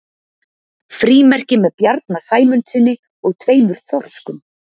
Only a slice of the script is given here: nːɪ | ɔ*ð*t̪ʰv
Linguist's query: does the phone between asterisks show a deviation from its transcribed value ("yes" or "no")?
yes